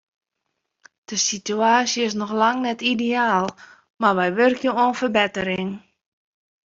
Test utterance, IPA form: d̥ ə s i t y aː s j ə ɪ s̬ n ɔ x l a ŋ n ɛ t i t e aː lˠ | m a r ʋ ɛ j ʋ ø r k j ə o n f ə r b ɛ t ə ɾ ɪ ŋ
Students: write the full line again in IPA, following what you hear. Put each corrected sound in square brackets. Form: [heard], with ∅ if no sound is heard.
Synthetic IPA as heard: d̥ ə s i t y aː s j ə ɪ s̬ n ɔ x l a ŋ n ɛ t i [d] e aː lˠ | m a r ʋ ɛ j ʋ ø r k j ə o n f ə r b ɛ t ə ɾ ɪ ŋ